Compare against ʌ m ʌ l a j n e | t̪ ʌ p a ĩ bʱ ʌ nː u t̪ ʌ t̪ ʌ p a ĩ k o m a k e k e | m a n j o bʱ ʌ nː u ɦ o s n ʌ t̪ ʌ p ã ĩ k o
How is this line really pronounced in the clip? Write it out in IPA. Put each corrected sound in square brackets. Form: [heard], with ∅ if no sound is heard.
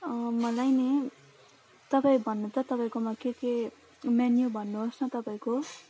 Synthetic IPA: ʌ m ʌ l a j n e | t̪ ʌ p a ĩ bʱ ʌ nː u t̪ ʌ t̪ ʌ p a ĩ k o m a k e k e | m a n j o bʱ ʌ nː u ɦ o s n ʌ t̪ ʌ p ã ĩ k o